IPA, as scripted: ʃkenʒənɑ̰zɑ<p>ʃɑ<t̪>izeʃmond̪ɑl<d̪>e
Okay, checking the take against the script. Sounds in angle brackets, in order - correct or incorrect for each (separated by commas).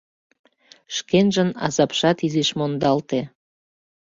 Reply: correct, correct, incorrect